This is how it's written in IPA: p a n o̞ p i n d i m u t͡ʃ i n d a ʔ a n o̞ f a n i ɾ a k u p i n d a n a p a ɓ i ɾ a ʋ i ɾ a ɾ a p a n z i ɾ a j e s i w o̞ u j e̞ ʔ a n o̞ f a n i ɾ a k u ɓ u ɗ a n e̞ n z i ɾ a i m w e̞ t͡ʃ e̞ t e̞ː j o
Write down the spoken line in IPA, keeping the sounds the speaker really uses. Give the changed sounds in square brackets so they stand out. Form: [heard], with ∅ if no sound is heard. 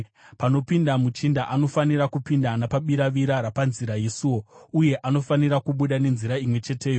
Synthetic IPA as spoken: p a n o̞ p i n d [a] m u t͡ʃ i n d a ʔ a n o̞ f a n i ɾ a k u p i n d a n a p a ɓ i ɾ a ʋ i ɾ a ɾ a p a n z i ɾ a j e s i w o̞ u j e̞ ʔ a n o̞ f a n i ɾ a k u ɓ u ɗ a n e̞ n z i ɾ a i m w e̞ t͡ʃ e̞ t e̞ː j o